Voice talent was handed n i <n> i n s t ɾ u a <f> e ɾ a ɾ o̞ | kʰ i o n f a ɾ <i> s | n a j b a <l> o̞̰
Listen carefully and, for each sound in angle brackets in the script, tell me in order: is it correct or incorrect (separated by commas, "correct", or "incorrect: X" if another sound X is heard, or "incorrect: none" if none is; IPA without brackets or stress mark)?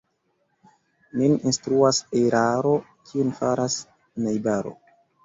correct, incorrect: s, incorrect: a, incorrect: ɾ